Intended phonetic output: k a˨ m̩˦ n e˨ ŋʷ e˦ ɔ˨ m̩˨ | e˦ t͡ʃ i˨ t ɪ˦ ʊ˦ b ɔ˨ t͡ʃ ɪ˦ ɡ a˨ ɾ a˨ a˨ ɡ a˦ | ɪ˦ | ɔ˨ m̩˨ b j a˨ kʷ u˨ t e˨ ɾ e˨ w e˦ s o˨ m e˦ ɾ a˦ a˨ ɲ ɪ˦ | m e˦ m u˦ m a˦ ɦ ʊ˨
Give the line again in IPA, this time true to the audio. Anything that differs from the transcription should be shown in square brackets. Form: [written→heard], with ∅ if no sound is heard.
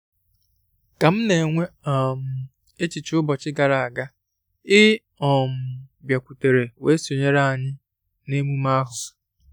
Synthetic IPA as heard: k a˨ m̩˦ n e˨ ŋʷ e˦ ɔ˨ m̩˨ | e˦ t͡ʃ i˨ [t→t͡ʃ] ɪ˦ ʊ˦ b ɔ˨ t͡ʃ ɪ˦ ɡ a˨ ɾ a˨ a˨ ɡ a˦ | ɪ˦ | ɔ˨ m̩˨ b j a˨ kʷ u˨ t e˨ ɾ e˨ w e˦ s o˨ [m→ɲ] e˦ ɾ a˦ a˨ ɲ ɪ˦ | [m→n] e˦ m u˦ m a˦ ɦ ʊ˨